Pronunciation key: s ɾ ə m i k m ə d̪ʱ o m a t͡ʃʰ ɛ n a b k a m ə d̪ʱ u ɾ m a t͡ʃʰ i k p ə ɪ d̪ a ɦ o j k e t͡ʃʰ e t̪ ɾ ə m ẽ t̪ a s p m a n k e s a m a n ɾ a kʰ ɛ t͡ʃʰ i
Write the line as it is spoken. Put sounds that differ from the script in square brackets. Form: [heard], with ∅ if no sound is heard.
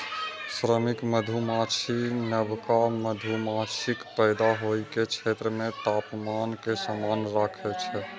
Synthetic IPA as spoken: s ɾ ə m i k m ə d̪ʱ [u] m a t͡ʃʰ [i] n [ə] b k a m ə d̪ʱ u [∅] m a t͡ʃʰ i k p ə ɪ d̪ a ɦ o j k e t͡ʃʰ e t̪ ɾ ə m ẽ t̪ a [∅] p m a n k e s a m a n ɾ a kʰ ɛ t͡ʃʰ [ɛ]